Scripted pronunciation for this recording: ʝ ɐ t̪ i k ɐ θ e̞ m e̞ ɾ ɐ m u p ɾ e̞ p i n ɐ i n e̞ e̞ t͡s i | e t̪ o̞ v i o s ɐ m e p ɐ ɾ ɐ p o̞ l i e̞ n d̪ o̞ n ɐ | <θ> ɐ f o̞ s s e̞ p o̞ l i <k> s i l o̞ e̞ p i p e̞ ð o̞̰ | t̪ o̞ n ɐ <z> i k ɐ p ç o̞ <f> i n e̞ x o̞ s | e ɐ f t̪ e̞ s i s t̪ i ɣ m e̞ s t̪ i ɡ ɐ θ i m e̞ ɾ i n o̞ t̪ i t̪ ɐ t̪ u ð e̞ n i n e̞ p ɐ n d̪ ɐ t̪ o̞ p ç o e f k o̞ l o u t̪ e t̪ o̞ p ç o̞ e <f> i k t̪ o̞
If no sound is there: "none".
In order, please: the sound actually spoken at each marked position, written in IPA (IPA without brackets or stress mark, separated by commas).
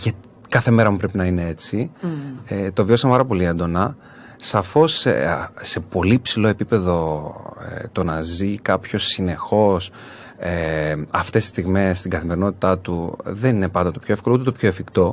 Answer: s, p, z, s, f